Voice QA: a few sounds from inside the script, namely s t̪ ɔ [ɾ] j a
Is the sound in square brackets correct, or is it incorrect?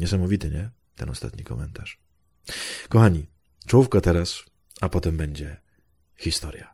correct